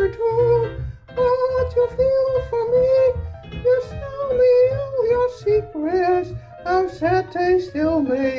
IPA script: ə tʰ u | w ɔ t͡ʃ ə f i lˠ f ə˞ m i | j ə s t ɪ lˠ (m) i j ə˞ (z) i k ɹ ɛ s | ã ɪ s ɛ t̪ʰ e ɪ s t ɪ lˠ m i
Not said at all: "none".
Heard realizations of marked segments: m, s

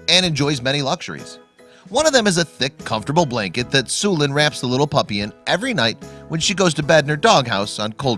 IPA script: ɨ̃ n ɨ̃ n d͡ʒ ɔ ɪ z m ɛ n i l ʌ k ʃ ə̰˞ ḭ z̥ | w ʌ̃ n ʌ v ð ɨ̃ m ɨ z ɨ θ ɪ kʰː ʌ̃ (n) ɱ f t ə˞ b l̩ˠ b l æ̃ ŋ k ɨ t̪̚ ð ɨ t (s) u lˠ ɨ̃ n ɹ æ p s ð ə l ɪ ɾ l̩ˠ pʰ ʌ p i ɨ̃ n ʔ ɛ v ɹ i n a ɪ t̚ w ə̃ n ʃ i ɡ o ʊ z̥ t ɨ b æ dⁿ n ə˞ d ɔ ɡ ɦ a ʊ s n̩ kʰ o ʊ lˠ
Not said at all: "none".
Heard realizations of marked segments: none, s

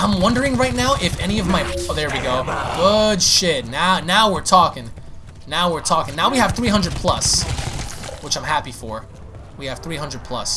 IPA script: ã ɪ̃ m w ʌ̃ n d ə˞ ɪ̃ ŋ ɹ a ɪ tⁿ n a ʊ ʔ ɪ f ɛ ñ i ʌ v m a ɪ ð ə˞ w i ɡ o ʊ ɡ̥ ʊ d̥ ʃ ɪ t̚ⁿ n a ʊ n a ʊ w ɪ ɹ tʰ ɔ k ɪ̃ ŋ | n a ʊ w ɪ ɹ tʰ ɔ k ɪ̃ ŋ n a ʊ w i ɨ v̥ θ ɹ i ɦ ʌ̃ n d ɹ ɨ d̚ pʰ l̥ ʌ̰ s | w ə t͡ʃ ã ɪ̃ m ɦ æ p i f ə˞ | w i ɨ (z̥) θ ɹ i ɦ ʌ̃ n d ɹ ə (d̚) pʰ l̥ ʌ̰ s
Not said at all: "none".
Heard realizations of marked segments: v̥, d̚

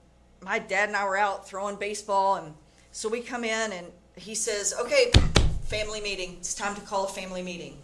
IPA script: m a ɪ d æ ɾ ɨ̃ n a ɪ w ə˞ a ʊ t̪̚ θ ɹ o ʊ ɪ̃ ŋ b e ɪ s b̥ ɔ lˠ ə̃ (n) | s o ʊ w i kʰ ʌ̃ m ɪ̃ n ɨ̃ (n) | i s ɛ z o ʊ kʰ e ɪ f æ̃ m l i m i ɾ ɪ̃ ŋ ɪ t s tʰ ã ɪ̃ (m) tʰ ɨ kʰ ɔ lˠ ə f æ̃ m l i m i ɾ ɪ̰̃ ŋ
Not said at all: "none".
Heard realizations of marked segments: n, n, m

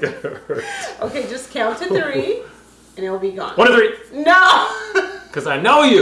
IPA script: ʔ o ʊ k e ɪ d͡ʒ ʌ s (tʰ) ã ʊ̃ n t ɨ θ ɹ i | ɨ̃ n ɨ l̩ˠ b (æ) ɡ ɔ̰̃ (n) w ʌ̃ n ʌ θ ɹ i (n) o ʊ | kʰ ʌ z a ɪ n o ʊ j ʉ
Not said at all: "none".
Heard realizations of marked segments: kʰ, i, n, n

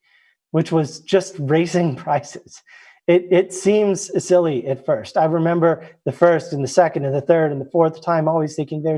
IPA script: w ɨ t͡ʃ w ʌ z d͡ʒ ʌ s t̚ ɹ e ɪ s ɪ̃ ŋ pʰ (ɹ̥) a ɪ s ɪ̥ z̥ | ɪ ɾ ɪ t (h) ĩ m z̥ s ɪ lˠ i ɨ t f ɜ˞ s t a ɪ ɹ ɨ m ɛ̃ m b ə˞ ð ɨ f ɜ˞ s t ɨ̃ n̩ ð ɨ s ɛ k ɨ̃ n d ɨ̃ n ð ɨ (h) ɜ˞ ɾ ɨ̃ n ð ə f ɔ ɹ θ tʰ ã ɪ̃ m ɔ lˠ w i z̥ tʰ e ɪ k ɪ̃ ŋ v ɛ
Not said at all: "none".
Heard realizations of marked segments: ɹ̥, s, θ

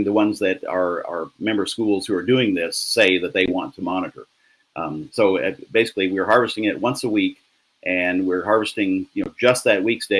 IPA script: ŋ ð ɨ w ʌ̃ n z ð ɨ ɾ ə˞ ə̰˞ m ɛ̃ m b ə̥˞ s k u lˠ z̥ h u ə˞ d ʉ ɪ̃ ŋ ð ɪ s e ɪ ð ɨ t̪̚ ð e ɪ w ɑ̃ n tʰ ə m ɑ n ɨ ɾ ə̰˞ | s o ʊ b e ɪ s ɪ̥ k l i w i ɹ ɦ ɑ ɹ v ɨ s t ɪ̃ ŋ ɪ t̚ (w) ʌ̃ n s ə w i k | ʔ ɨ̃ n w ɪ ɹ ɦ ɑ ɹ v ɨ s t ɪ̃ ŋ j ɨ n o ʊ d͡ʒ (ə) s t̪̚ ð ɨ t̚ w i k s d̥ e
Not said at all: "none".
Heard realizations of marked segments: w, ʌ

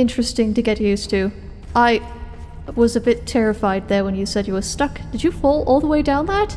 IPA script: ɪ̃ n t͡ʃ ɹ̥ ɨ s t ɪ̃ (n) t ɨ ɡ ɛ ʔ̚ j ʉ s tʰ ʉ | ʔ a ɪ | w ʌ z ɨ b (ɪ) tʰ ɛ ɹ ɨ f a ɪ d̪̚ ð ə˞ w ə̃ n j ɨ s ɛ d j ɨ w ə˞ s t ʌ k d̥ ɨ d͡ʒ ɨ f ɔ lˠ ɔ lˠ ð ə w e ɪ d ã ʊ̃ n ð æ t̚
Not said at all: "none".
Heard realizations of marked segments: ŋ, ɪ

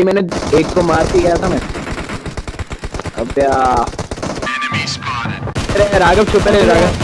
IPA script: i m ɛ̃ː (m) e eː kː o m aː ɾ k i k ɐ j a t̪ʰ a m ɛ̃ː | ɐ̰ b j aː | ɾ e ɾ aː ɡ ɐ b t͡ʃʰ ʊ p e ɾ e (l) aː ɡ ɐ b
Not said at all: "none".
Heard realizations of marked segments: n, ɾ

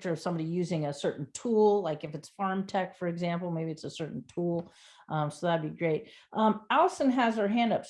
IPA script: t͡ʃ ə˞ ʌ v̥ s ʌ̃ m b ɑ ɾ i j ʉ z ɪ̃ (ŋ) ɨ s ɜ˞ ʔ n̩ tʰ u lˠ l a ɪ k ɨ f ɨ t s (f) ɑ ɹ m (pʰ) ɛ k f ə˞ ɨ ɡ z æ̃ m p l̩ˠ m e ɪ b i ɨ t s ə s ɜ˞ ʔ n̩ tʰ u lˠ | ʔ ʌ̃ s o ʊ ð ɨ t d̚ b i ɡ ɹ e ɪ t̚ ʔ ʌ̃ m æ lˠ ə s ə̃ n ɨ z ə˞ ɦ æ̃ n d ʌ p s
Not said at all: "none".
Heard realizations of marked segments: ŋ, f, tʰ

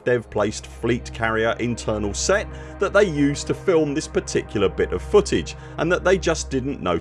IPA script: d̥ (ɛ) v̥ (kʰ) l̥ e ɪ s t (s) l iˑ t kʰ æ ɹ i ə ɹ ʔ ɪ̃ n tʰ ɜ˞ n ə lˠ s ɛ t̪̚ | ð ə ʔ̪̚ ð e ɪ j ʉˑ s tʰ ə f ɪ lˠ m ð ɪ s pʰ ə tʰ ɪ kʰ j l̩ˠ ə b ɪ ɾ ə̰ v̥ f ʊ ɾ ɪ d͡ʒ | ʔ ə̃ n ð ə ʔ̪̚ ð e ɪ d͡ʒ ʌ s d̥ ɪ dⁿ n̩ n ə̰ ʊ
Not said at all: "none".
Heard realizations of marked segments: ɛ, pʰ, f

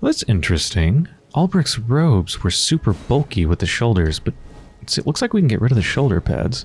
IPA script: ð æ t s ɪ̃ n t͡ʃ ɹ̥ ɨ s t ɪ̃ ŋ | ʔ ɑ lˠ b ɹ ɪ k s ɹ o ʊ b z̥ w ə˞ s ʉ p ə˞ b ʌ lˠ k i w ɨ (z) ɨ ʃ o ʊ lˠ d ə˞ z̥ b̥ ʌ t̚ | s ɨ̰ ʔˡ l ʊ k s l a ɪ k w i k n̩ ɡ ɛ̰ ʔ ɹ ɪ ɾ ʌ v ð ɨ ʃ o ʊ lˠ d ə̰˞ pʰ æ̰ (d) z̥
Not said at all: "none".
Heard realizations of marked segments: ð, d

